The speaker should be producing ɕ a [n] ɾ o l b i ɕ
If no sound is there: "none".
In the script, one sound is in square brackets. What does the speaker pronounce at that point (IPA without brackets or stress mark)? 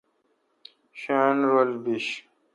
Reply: n